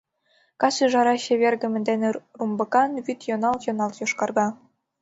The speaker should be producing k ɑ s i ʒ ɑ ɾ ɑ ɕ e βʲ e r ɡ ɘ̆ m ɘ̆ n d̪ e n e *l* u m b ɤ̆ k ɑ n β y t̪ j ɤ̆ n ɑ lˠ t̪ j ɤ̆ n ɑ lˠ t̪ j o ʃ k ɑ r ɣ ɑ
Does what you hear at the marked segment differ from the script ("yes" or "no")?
yes